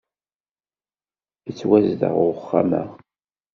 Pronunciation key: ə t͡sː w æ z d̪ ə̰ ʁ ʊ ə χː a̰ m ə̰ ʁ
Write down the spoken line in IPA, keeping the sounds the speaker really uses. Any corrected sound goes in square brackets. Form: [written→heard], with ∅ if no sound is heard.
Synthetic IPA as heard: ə t͡sː w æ z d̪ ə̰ ʁ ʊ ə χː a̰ m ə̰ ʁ